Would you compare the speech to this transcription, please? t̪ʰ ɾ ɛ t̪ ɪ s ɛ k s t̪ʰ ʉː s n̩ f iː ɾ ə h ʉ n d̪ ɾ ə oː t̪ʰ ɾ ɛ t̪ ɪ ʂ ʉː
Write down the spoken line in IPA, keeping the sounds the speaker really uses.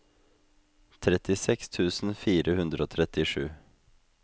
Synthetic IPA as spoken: t̪ʰ ɾ ɛ t̪ ɪ s ɛ k s t̪ʰ ʉː s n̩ f iː ɾ ə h ʉ n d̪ ɾ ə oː t̪ʰ ɾ ɛ t̪ ɪ ʂ ʉː